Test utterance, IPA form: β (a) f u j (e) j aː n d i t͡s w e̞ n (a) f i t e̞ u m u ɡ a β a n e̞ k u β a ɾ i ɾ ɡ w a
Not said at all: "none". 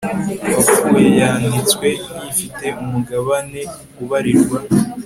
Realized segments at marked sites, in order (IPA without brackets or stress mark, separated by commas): a, e, i